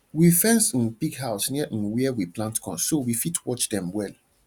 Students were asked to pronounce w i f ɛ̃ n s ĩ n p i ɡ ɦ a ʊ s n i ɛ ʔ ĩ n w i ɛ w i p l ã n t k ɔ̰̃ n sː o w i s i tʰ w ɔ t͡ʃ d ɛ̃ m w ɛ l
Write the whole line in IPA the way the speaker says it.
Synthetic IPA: w i f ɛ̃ n s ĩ n p i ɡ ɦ a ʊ s n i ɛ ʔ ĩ n w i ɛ w i p l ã n t k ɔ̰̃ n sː o w i f i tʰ w ɔ t͡ʃ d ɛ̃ m w ɛ l